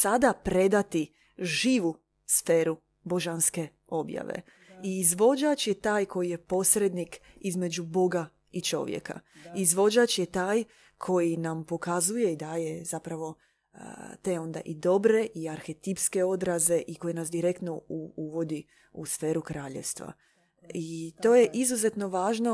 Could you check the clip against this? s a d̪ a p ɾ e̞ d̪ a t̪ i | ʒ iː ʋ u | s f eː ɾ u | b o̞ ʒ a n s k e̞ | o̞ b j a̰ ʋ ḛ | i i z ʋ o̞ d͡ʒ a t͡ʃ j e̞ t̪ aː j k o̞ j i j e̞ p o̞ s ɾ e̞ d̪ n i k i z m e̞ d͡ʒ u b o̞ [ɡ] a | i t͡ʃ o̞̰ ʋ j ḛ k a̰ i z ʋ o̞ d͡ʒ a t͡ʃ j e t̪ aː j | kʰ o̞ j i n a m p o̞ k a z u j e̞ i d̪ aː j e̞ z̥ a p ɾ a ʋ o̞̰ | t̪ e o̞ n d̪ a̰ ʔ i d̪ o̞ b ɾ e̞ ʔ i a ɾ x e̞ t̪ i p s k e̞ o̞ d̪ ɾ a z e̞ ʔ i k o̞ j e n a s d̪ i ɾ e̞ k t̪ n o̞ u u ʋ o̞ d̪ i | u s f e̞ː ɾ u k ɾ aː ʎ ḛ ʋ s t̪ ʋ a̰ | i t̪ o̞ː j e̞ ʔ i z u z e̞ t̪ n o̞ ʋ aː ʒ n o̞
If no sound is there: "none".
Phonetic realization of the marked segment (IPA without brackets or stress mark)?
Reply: ɡ